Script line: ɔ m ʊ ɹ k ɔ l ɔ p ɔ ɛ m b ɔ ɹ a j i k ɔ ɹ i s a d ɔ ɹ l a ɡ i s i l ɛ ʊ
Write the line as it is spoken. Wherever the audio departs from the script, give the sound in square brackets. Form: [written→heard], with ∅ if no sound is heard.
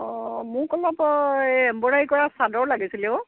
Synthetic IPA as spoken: ɔ m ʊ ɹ k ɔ l ɔ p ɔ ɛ m b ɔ ɹ a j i k ɔ ɹ [i→a] s a d ɔ ɹ l a ɡ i s i l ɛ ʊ

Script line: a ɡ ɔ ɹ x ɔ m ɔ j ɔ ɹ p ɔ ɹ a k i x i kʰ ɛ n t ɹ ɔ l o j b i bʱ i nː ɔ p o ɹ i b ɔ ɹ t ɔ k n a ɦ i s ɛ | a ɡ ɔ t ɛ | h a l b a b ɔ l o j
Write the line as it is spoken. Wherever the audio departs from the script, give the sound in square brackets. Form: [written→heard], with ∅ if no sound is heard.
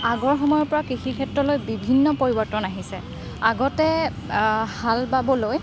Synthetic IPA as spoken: a ɡ ɔ ɹ x ɔ m ɔ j ɔ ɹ p ɔ ɹ a k i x i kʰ ɛ [n→∅] t ɹ ɔ l o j b i bʱ i nː ɔ p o ɹ i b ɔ ɹ t ɔ [k→∅] n a ɦ i s ɛ | a ɡ ɔ t ɛ | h a l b a b ɔ l o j

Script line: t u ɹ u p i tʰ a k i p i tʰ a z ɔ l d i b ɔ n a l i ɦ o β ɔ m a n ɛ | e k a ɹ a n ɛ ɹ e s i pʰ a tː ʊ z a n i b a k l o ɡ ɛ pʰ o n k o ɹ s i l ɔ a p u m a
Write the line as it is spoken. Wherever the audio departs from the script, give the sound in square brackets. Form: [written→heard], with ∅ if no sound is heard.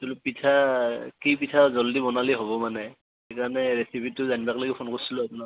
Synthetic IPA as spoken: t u [ɹ→l] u p i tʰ a k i p i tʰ a z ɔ l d i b ɔ n a l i ɦ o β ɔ m a n ɛ | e k a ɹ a n ɛ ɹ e s i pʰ [a→i] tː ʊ z a n i b a k l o ɡ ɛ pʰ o n k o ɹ s i l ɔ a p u [m→n] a

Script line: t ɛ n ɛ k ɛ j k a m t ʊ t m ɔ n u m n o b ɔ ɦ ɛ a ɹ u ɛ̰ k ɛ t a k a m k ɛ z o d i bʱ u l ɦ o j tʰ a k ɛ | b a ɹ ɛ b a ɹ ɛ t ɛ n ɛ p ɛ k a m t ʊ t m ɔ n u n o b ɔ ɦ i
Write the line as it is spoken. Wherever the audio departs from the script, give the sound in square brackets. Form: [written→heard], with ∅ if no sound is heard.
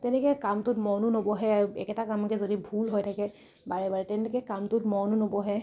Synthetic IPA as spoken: t ɛ n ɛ k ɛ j k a m t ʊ t m ɔ n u [m→∅] n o b ɔ ɦ ɛ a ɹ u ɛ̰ k ɛ t a k a m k ɛ z o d i bʱ u l ɦ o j tʰ a k ɛ | b a ɹ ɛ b a ɹ ɛ t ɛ n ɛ [p→k] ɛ k a m t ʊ t m ɔ n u n o b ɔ ɦ [i→ɛ]

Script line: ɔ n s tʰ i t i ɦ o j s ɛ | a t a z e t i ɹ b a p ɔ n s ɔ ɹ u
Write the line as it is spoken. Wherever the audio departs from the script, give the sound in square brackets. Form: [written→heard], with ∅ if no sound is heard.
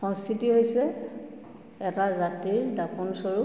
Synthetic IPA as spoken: ɔ n s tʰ i t i ɦ o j s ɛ | [a→ɛ] t a z [e→a] t i ɹ [b→d] a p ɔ n s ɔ ɹ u

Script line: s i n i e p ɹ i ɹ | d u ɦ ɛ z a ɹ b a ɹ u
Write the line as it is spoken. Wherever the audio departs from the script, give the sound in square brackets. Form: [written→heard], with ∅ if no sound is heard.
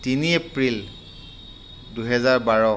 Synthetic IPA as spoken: [s→t] i n i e p ɹ i [ɹ→l] | d u ɦ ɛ z a ɹ b a ɹ [u→ɔ]

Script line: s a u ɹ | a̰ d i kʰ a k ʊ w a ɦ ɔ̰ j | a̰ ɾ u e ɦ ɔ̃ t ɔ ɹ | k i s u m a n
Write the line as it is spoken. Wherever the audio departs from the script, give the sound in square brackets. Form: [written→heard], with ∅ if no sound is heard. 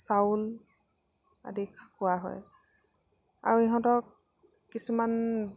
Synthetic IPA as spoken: s a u [ɹ→l] | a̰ d i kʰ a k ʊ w a ɦ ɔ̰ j | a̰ [ɾ→ɹ] u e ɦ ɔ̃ t ɔ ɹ | k i s u m a n

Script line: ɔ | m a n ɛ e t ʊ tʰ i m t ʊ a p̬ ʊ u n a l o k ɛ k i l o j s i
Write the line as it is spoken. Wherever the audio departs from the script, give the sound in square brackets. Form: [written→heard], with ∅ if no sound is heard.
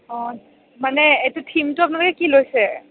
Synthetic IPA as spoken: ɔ | m a n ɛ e t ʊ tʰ i m t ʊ a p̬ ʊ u n a l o k ɛ k i l o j s [i→ɛ]

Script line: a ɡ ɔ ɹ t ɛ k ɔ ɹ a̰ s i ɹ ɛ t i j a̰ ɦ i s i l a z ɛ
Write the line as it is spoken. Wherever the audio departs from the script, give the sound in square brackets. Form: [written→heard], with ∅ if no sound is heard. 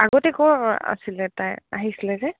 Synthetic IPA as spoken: a ɡ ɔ [ɹ→∅] t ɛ k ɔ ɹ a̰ s i [ɹ→l] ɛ t [i→a] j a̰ ɦ i s i l [a→ɛ] z ɛ

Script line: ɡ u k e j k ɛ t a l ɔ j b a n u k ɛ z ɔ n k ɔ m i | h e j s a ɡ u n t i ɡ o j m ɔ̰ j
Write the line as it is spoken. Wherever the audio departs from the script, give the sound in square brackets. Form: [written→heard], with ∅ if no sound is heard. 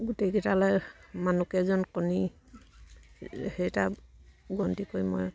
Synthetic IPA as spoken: ɡ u [k→t] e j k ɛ t a l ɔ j [b→m] a n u k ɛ z ɔ n k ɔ [m→n] i | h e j [s→t] a ɡ [u→ɔ] n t i [ɡ→k] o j m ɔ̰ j

